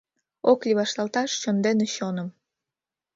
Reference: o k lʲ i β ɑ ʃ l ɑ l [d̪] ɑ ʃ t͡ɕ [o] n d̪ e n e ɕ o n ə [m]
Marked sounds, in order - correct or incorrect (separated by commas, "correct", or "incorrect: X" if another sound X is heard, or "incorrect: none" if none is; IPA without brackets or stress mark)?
incorrect: t̪, correct, correct